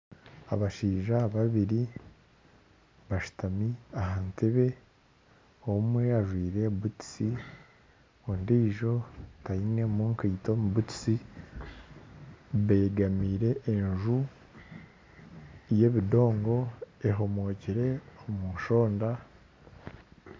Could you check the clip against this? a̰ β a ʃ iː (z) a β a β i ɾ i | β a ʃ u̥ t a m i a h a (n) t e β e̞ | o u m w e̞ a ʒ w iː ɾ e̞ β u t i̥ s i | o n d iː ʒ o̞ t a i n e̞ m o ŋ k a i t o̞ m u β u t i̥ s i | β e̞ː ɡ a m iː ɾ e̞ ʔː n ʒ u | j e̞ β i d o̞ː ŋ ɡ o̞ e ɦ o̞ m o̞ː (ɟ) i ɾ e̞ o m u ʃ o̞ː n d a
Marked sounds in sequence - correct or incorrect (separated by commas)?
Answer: incorrect, correct, incorrect